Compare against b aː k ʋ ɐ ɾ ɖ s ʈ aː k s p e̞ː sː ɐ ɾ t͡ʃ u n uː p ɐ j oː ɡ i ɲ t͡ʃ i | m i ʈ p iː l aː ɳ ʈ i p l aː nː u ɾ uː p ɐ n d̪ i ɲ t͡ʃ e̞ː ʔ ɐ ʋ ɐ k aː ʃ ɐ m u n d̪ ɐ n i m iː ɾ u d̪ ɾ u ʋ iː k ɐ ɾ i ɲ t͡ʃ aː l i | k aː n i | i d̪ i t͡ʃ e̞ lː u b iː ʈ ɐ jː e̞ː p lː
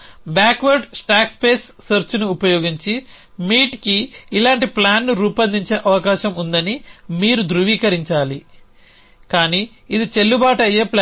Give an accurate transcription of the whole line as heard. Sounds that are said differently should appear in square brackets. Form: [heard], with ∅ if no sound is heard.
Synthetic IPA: b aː k ʋ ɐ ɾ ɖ s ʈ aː k s p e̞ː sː ɐ ɾ t͡ʃ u n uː p ɐ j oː ɡ i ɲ t͡ʃ i | m [iː] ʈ [k] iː l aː ɳ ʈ i p l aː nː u ɾ uː p ɐ n d̪ i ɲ t͡ʃ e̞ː ʔ ɐ ʋ ɐ k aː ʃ ɐ m u n d̪ ɐ n i m iː ɾ u d̪ ɾ u ʋ iː k ɐ ɾ i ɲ t͡ʃ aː l i | k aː n i | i d̪ i t͡ʃ e̞ lː u b [aː] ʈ ɐ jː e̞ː p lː